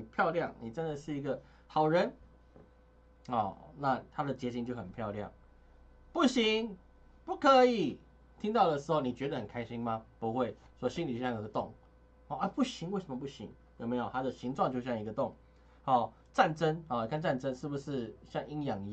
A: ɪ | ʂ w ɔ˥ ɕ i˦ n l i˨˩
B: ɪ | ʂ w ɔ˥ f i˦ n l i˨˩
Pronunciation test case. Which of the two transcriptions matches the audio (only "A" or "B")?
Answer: A